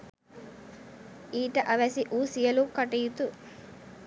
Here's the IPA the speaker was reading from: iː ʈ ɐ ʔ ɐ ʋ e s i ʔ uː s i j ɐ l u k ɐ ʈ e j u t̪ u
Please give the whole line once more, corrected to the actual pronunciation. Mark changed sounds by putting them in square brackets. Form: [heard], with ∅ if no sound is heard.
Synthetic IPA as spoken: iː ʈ ɐ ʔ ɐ ʋ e s i ʔ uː s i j ɐ l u k ɐ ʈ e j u t̪ u